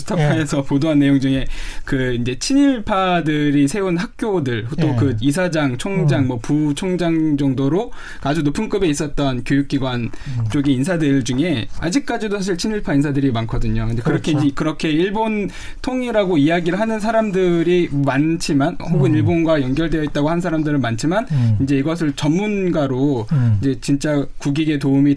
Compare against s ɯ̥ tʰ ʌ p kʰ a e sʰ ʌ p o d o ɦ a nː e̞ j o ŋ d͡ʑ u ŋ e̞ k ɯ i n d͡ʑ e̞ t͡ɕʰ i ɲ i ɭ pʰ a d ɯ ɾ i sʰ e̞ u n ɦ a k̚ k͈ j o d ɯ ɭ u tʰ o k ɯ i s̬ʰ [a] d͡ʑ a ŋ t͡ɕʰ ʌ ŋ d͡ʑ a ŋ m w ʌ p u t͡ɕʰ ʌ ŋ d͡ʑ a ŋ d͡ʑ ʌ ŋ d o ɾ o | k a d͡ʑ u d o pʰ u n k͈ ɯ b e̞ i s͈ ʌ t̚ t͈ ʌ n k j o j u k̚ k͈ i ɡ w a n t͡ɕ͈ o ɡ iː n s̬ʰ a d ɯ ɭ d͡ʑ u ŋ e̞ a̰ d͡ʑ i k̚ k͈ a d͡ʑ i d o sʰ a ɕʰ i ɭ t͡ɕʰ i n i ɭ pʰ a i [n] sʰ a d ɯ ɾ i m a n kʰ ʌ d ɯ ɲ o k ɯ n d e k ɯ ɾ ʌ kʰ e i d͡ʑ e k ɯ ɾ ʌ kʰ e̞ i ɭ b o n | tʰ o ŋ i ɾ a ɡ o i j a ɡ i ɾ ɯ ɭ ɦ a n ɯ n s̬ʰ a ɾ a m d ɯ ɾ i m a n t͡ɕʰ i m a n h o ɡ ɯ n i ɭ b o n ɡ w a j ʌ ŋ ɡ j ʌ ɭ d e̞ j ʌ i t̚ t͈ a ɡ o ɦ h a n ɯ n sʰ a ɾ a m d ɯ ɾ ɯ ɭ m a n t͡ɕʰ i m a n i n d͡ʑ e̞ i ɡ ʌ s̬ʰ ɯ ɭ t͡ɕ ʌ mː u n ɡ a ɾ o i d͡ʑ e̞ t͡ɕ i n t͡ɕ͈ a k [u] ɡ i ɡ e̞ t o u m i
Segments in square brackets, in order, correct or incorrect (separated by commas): correct, correct, correct